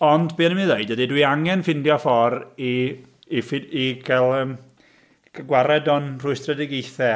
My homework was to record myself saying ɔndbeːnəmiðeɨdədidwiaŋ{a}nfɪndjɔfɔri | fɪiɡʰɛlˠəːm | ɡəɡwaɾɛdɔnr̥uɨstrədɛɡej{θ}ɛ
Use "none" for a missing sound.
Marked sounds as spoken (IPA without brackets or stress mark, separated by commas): ɛ, θ